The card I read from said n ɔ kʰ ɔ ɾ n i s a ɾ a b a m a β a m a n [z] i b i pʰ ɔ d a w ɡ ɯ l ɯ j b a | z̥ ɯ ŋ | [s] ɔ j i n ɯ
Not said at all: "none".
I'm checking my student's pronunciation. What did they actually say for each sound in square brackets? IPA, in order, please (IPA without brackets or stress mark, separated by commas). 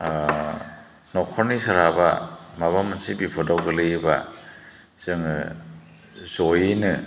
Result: s, z